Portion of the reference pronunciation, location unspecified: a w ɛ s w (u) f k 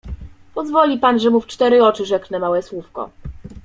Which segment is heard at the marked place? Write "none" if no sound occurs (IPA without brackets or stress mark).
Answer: u